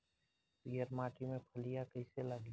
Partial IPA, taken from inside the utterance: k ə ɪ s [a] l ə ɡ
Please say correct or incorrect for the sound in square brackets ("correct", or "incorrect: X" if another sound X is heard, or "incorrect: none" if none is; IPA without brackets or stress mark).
incorrect: e